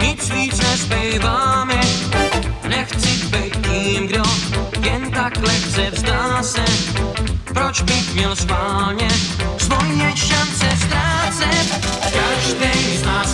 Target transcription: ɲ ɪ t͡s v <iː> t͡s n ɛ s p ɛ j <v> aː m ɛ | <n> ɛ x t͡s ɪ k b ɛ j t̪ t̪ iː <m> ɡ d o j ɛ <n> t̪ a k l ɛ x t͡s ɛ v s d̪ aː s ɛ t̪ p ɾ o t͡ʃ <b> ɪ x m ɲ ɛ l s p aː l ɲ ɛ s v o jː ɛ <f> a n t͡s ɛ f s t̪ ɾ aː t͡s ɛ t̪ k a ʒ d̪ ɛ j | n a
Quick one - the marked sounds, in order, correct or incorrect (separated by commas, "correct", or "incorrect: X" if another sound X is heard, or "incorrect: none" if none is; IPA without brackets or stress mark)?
correct, correct, correct, correct, correct, correct, incorrect: ʃ